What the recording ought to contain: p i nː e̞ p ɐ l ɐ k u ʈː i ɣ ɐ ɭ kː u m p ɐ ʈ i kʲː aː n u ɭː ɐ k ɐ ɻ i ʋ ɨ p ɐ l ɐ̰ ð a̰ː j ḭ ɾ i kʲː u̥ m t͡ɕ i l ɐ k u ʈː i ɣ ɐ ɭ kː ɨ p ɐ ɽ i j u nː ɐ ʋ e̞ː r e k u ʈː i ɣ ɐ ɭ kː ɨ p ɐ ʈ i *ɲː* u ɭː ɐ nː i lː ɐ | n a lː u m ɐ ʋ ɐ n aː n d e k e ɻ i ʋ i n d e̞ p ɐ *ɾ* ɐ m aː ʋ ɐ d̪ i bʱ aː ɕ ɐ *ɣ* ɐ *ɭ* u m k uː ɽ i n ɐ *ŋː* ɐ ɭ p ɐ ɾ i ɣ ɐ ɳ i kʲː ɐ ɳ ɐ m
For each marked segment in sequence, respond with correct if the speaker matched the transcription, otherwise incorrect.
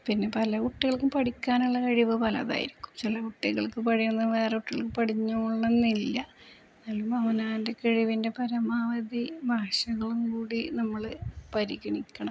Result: correct, correct, correct, correct, incorrect

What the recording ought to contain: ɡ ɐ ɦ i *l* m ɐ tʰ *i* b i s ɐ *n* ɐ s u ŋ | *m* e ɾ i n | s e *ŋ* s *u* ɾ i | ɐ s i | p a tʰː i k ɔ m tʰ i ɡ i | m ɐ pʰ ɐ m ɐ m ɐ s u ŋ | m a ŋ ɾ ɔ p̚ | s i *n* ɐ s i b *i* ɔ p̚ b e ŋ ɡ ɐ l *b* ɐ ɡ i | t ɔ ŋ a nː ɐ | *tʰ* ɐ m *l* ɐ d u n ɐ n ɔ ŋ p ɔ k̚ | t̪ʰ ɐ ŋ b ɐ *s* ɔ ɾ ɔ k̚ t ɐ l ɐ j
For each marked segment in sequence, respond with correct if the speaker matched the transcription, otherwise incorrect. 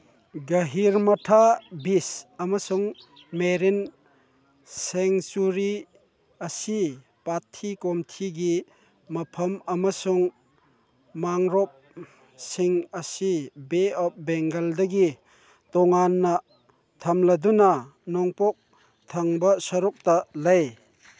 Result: incorrect, incorrect, incorrect, correct, correct, correct, incorrect, incorrect, incorrect, correct, correct, correct

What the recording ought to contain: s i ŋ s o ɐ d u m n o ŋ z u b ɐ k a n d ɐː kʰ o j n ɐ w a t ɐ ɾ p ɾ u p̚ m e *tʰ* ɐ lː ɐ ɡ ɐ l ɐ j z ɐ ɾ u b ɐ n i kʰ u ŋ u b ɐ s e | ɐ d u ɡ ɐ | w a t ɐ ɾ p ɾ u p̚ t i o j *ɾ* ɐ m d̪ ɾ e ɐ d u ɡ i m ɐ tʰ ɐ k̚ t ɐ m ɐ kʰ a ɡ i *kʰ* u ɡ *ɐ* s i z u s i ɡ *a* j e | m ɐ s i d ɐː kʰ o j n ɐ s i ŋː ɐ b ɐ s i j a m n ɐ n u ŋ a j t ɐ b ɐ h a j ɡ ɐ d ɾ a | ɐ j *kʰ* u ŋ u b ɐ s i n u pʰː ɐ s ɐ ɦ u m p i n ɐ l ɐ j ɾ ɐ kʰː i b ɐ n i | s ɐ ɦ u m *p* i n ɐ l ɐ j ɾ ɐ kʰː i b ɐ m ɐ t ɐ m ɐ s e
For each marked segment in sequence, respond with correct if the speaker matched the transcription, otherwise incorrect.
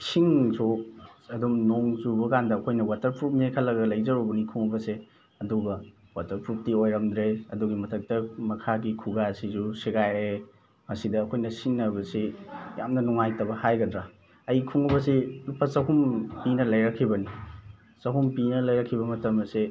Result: incorrect, correct, correct, incorrect, correct, correct, correct

